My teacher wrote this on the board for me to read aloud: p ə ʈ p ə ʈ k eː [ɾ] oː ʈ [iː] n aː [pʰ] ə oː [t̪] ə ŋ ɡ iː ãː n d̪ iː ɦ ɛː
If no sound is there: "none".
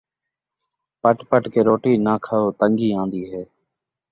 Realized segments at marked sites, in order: ɾ, iː, kʰ, t̪

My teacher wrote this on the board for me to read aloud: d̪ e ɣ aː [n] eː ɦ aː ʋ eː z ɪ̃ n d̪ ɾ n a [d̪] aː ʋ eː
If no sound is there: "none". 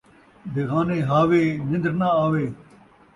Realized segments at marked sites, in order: n, none

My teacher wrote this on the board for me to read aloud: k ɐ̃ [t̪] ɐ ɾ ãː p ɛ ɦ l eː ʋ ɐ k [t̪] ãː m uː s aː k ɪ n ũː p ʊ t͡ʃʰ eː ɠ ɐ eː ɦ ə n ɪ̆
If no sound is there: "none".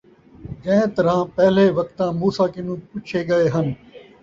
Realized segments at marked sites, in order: t̪, t̪

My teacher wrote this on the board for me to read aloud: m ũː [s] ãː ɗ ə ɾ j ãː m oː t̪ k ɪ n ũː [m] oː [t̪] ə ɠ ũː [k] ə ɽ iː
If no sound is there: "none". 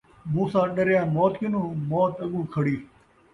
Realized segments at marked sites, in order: s, m, t̪, kʰ

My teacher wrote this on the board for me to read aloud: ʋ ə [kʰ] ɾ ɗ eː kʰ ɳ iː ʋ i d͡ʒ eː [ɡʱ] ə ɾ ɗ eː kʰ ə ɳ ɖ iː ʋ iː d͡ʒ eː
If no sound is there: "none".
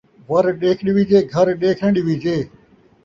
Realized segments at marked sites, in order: none, ɡʱ

